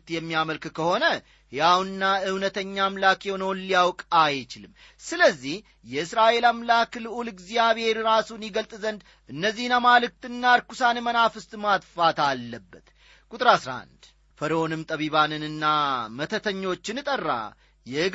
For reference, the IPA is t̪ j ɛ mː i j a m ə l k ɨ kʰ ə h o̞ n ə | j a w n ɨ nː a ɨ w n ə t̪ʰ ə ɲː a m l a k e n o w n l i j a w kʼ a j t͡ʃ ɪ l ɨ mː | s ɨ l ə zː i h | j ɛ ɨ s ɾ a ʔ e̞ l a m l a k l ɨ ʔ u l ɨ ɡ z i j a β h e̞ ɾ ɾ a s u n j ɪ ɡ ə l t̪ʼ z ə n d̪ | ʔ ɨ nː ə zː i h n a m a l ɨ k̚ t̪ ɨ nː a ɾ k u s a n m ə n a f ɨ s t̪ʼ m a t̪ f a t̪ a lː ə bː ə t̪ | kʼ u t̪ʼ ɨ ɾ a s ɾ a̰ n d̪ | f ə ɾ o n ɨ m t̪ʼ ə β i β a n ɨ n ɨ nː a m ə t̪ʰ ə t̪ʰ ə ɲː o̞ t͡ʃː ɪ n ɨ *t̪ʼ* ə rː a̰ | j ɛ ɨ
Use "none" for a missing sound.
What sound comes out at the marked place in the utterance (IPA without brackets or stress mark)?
t̪ʼ